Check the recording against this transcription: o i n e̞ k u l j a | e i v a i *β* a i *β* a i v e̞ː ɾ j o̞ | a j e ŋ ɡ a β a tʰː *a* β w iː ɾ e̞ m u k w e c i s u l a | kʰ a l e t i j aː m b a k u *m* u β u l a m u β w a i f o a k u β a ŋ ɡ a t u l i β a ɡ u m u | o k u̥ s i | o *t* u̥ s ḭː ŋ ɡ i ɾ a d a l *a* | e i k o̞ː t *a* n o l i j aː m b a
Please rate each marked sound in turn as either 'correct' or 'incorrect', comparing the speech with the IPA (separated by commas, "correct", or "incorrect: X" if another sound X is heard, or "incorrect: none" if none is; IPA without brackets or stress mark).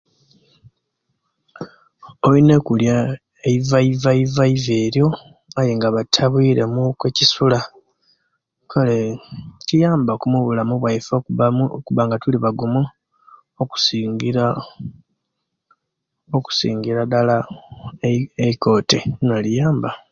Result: incorrect: v, incorrect: v, correct, correct, incorrect: k, correct, incorrect: e